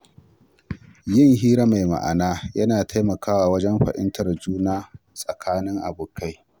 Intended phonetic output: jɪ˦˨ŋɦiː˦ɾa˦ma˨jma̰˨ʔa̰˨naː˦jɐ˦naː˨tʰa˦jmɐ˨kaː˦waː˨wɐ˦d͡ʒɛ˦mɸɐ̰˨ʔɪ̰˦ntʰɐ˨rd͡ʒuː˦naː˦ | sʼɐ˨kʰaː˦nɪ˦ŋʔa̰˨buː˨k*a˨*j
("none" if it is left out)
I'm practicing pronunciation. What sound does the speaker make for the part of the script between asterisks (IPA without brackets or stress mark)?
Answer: a˦